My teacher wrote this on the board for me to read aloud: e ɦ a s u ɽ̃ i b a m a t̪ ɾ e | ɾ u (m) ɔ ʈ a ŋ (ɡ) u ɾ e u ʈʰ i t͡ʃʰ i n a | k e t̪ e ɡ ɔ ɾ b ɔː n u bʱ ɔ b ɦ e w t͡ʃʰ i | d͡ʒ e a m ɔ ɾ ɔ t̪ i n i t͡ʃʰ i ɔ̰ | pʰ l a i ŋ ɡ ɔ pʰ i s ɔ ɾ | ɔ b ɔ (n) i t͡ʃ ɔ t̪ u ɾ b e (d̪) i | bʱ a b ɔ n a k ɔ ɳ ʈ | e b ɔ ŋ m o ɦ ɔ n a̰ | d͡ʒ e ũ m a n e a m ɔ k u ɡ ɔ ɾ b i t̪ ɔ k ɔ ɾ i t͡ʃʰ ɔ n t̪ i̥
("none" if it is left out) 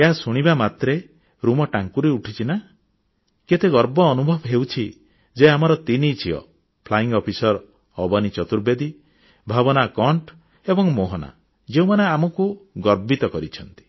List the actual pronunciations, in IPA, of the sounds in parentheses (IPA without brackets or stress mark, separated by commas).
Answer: m, k, n, d̪